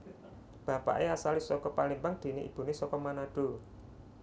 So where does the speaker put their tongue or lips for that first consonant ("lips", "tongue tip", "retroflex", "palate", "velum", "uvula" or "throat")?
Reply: lips